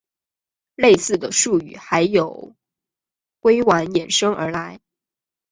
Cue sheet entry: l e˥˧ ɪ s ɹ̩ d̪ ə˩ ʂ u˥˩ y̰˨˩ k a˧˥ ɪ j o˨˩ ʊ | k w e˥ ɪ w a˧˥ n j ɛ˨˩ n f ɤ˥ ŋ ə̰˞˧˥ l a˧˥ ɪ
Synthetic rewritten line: l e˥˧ ɪ s ɹ̩ d̪ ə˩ ʂ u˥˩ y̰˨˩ x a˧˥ ɪ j o˨˩ ʊ | k w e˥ ɪ w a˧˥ n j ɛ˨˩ n ʂ ɤ˥ ŋ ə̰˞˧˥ l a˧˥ ɪ